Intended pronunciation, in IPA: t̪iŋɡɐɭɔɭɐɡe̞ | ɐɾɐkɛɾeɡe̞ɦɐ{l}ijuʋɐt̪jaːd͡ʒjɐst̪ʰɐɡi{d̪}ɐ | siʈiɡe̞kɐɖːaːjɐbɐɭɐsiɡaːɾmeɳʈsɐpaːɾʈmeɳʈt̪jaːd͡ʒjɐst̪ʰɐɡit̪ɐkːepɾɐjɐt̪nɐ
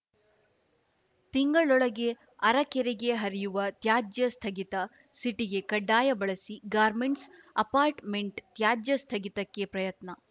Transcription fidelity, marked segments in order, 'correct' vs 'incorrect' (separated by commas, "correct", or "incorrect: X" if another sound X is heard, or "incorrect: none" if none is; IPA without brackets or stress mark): incorrect: ɾ, incorrect: t̪